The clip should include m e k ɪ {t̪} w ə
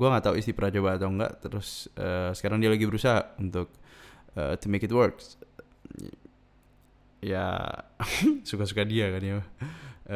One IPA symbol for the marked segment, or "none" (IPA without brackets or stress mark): t̪